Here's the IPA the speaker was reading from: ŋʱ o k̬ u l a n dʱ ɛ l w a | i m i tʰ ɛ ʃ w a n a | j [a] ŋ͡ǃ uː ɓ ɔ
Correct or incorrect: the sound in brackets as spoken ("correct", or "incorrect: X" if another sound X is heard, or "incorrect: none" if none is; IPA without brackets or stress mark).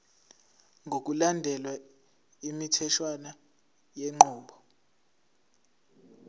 incorrect: e